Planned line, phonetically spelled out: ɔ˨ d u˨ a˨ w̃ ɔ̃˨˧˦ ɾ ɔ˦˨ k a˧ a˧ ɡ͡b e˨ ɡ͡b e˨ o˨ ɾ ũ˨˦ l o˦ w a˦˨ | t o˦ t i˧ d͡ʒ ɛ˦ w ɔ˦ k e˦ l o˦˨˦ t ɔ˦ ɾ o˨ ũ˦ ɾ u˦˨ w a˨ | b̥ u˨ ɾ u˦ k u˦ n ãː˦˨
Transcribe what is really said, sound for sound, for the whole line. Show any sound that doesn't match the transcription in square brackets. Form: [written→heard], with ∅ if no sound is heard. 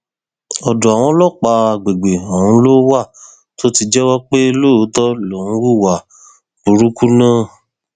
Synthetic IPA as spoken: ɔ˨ d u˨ a˨ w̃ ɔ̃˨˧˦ [ɾ→l] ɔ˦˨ [k→k͡p] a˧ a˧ ɡ͡b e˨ ɡ͡b e˨ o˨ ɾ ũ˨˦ l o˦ w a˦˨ | t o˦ t i˧ d͡ʒ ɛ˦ w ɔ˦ [k→k͡p] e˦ l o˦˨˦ t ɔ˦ [ɾ→l] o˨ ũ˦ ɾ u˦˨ w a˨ | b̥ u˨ ɾ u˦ k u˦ n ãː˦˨